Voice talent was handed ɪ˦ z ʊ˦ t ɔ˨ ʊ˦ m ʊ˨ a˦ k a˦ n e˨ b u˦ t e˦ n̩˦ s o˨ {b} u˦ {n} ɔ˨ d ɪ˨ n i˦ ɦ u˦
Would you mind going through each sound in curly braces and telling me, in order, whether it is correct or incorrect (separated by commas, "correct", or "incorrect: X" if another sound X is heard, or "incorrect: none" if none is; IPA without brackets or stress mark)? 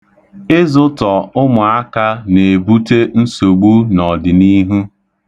incorrect: ɡ͡b, correct